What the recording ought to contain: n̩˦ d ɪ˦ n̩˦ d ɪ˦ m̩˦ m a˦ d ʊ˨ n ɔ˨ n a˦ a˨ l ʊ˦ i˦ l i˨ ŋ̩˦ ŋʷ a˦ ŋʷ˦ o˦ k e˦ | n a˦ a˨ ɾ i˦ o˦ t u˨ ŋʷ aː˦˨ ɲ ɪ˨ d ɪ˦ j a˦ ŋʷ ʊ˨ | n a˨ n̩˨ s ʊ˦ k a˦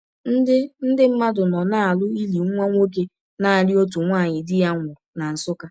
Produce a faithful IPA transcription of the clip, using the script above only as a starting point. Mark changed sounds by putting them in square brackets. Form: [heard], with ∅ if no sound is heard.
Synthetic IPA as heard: n̩˦ d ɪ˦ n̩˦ d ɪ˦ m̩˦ m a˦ d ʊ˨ n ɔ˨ n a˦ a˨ l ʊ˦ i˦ l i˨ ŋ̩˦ ŋʷ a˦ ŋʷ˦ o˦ k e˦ | n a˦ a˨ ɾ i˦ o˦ t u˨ ŋʷ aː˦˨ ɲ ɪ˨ d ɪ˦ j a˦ ŋʷ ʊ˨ | n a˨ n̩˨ s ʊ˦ k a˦